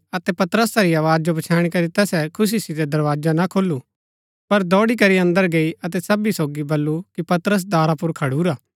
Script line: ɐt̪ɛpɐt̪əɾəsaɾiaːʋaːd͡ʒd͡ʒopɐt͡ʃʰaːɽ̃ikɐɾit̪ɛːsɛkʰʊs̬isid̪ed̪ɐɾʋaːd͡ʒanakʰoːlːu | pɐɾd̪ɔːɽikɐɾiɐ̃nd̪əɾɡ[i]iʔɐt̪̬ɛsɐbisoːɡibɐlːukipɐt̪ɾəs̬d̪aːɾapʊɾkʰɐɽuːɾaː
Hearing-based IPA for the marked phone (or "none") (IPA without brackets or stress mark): e